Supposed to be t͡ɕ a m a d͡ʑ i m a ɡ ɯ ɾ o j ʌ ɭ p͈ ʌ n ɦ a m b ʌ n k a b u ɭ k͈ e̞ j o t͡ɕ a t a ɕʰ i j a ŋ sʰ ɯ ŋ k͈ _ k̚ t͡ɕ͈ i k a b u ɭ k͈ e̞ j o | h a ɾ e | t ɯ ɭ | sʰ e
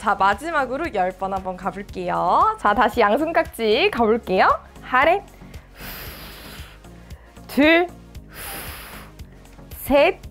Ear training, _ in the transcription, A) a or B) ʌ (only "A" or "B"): A